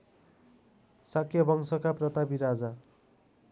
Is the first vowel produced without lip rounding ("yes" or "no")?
yes